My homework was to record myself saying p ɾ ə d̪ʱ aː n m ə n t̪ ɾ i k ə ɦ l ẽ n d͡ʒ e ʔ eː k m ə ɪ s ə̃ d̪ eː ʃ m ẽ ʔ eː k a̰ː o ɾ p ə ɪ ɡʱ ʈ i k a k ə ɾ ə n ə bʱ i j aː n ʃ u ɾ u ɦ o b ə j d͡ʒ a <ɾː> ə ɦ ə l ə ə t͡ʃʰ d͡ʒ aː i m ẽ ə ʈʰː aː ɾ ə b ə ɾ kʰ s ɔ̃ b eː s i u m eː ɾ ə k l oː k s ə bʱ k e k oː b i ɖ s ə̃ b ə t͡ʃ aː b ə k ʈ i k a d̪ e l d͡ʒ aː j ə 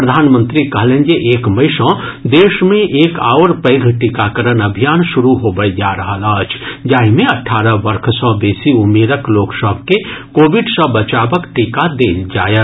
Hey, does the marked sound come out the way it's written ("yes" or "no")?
no